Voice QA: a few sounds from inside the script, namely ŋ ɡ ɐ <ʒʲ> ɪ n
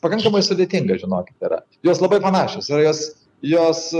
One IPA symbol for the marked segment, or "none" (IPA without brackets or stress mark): ʒʲ